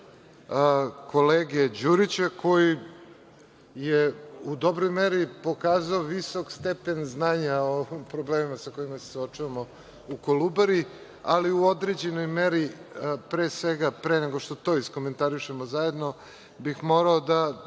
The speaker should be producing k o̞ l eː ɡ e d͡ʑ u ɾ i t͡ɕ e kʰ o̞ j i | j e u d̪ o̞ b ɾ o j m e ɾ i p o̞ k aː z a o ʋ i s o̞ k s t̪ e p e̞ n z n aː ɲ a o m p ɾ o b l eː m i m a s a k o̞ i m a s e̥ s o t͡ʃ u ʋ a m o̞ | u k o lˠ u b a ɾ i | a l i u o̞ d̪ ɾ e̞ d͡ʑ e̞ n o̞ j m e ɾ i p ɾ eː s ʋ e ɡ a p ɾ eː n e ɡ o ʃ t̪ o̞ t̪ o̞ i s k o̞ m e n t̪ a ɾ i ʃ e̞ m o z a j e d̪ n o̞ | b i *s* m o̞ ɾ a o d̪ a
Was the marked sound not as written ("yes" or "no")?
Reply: yes